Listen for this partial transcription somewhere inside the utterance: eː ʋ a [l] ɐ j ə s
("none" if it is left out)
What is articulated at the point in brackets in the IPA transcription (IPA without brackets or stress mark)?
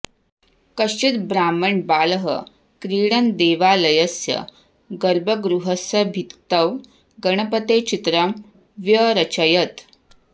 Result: l